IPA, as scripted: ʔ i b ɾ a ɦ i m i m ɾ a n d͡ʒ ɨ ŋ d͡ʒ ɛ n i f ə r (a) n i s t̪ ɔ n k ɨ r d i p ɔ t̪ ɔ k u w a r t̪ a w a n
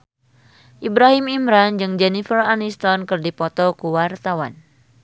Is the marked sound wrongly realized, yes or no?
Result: no